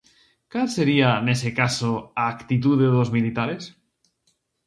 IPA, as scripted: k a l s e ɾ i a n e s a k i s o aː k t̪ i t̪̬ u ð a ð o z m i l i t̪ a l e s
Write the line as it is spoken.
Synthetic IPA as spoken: k a l s e ɾ i a n e s e k a s o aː k t̪ i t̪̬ u ð e ð o z m i l i t̪ a ɾ e s